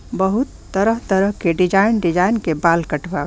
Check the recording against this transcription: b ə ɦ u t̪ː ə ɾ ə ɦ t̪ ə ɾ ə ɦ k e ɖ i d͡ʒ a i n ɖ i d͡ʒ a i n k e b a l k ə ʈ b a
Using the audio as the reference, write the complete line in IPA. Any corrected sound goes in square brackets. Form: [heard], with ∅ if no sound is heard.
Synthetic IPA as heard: b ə ɦ u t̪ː ə ɾ ə ɦ t̪ ə ɾ ə ɦ k e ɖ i d͡ʒ a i n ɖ i d͡ʒ a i n k e b a l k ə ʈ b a